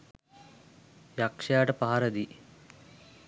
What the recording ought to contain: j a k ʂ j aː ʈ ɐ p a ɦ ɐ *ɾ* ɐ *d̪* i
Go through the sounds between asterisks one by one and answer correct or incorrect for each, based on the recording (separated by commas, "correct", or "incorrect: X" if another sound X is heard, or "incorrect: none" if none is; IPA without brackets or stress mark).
correct, correct